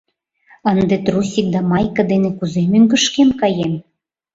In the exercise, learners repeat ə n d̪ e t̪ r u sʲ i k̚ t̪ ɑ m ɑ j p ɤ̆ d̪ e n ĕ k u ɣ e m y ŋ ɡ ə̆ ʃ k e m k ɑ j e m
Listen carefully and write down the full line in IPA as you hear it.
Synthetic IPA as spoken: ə n d̪ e t̪ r u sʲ i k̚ d̪ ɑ m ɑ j k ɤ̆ d̪ e n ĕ k u z e m y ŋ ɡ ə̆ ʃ k e m k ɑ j e m